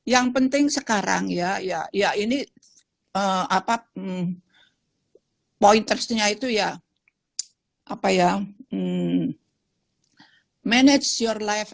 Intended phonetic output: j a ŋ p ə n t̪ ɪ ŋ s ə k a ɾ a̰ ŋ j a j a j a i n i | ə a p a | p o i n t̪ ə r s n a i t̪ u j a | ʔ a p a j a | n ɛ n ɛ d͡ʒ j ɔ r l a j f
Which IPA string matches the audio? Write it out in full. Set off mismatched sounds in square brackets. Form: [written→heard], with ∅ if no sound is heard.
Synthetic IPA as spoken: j a ŋ p ə n t̪ ɪ ŋ s ə k a ɾ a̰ ŋ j a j a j a i n i | ə a p a | p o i n t̪ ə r s [n→ɲ] a i t̪ u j a | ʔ a p a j a | [n→m] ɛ n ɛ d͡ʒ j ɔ r l a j f